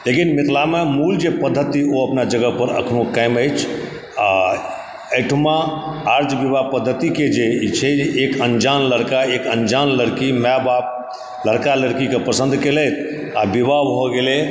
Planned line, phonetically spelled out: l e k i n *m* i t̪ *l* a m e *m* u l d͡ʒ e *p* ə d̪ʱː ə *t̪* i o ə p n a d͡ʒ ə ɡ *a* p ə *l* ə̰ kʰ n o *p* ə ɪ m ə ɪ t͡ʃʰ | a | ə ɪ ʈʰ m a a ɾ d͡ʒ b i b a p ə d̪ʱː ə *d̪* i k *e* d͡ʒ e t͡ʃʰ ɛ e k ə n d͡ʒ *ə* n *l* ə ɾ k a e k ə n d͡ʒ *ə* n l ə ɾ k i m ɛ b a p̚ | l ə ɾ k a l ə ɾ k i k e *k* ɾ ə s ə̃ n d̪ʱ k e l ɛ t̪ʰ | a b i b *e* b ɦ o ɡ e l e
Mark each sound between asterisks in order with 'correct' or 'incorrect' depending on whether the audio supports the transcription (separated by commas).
correct, correct, correct, correct, correct, incorrect, incorrect, incorrect, incorrect, correct, incorrect, correct, incorrect, incorrect, incorrect